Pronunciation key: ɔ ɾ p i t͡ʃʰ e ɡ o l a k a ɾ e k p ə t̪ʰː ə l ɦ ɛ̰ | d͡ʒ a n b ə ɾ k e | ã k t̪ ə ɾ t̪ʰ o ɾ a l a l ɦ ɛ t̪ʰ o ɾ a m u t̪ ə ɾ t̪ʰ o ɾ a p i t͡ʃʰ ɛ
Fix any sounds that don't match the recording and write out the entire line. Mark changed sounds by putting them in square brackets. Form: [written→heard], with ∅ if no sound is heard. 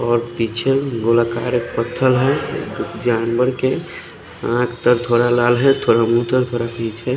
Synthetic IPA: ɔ ɾ p i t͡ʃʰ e ɡ o l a k a ɾ e k p ə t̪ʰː ə l ɦ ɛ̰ | d͡ʒ a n b ə ɾ k e | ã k t̪ ə ɾ t̪ʰ o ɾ a l a l ɦ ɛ t̪ʰ o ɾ a m u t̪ ə ɾ t̪ʰ o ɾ a p i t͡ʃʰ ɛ

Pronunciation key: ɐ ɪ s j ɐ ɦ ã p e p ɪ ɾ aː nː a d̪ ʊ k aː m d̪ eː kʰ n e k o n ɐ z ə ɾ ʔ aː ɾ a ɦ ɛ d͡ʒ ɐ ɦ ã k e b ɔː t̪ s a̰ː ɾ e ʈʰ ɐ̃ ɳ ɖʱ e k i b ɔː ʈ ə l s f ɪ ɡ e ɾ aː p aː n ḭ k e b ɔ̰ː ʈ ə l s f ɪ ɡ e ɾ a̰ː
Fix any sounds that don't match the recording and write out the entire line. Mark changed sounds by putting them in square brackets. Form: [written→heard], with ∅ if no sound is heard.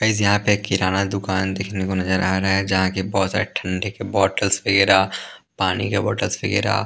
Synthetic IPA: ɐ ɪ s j ɐ ɦ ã p e [p→k] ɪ ɾ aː [nː→n] a d̪ ʊ k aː [m→n] d̪ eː kʰ n e k o n ɐ z ə ɾ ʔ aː ɾ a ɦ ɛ d͡ʒ ɐ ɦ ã k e b ɔː t̪ s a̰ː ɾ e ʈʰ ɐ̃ ɳ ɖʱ e k [i→e] b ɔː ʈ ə l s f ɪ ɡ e ɾ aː p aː n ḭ k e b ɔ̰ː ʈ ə l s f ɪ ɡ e ɾ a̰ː

